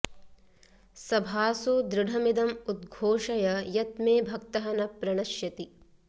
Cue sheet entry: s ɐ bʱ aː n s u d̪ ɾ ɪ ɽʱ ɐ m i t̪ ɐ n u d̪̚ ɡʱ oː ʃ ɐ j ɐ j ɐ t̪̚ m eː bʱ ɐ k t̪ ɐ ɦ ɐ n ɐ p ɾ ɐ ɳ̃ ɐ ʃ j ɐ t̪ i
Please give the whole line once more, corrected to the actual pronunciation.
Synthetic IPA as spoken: s ɐ bʱ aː s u d̪ ɾ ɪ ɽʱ ɐ m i d̪ ɐ m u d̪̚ ɡʱ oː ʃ ɐ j ɐ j ɐ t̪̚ m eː bʱ ɐ k t̪ ɐ ɦ ɐ n ɐ p ɾ ɐ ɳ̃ ɐ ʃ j ɐ t̪ i